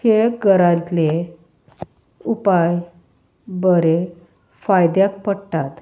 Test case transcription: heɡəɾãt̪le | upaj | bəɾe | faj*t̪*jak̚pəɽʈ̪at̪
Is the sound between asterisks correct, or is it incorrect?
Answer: incorrect